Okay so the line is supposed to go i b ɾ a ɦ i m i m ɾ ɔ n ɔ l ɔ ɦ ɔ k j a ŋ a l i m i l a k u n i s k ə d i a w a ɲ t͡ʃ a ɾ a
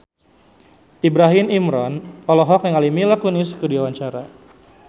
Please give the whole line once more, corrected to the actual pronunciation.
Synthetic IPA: i b ɾ a ɦ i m i m ɾ ɔ n ɔ l ɔ ɦ ɔ k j a ŋ a l i m i l a k u n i s k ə d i a w a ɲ t͡ʃ a ɾ a